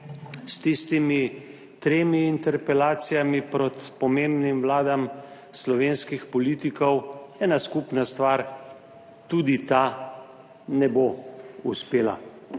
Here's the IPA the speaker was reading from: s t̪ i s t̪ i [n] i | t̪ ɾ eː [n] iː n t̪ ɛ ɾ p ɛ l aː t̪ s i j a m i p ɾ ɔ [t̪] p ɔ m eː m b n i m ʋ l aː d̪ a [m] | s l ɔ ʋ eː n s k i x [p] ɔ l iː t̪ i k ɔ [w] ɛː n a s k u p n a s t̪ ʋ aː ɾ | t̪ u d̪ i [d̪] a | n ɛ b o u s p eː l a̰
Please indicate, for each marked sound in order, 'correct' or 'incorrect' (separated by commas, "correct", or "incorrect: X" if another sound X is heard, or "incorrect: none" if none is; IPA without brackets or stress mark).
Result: incorrect: m, incorrect: m, correct, correct, correct, correct, incorrect: t̪